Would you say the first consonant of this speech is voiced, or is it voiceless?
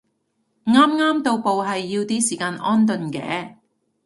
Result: voiced